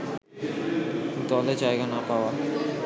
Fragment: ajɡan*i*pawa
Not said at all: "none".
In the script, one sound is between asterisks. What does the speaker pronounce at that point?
a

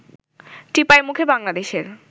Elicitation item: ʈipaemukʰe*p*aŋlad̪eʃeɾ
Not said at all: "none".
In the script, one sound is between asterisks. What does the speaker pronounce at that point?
b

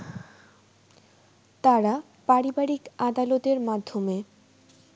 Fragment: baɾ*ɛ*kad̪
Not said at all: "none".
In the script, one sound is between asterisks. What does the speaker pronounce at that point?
i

